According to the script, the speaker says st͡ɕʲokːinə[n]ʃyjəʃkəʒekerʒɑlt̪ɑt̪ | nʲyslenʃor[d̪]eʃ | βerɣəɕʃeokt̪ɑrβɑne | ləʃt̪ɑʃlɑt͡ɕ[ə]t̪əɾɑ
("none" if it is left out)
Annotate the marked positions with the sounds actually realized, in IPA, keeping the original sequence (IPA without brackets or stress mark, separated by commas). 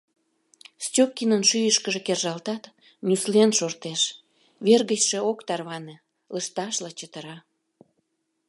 n, t̪, ə